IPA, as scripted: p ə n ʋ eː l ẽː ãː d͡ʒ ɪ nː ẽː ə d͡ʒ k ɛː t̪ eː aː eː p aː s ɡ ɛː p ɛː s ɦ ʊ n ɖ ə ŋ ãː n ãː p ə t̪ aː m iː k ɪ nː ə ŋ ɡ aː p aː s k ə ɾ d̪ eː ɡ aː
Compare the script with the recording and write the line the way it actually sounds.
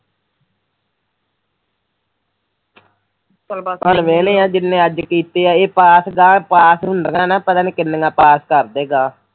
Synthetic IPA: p ə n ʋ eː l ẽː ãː d͡ʒ ɪ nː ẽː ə d͡ʒ k iː t̪ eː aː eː p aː s ɡ aː p aː s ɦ ʊ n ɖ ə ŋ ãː n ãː p ə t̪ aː n iː k ɪ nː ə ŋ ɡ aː p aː s k ə ɾ d̪ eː ɡ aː